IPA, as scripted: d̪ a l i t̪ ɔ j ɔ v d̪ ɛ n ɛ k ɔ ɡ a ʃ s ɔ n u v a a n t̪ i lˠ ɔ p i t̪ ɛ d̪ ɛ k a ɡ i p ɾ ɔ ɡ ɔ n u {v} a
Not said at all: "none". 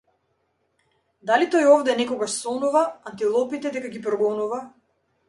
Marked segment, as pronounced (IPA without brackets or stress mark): v